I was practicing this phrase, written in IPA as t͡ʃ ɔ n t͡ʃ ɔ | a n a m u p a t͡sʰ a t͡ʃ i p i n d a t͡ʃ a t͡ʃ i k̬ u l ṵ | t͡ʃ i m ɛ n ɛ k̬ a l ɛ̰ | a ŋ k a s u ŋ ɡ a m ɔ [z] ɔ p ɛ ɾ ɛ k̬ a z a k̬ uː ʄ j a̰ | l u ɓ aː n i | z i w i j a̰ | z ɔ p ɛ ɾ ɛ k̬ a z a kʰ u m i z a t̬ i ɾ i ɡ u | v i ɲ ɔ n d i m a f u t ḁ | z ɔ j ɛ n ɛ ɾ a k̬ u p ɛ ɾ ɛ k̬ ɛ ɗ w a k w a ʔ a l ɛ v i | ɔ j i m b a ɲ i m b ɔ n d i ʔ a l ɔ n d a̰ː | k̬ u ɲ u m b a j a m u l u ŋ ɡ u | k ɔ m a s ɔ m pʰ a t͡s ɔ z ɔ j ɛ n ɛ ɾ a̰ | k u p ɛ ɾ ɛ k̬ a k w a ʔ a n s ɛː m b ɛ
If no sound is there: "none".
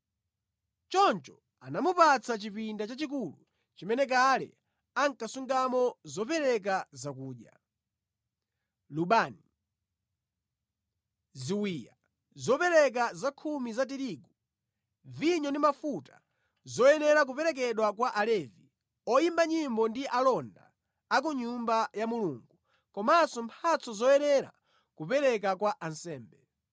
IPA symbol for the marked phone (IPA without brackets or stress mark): z